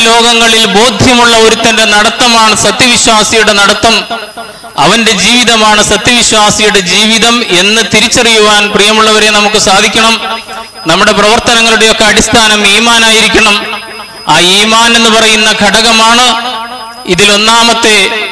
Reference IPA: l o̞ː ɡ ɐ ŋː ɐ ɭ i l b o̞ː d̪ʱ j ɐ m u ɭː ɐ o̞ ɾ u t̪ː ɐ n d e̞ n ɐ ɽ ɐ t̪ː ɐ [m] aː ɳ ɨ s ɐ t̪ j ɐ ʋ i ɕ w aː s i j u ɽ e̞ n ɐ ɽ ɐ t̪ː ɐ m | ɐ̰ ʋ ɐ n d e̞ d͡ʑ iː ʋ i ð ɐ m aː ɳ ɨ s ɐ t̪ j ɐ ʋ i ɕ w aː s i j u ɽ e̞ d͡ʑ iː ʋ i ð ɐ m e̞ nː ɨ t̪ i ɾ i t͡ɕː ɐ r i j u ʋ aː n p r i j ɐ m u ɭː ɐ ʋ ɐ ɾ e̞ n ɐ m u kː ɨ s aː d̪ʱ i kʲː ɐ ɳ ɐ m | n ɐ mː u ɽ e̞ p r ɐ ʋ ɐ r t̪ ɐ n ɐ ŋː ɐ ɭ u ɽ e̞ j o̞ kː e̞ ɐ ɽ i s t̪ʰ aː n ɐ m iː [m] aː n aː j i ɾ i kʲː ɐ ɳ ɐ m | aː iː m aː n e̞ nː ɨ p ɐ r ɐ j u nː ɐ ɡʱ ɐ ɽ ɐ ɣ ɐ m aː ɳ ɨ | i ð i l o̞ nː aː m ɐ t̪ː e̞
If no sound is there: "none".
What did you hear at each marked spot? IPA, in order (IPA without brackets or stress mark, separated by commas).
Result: m, m